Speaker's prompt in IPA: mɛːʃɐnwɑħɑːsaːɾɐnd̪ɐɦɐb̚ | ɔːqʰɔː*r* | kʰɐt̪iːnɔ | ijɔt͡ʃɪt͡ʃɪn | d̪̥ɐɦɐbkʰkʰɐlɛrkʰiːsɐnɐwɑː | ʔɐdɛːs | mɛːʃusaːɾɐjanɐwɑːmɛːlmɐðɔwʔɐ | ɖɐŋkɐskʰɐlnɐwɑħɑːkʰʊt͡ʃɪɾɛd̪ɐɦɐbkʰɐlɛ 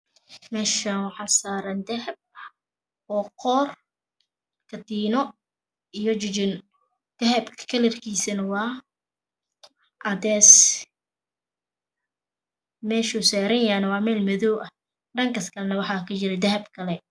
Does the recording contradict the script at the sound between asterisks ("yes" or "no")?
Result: no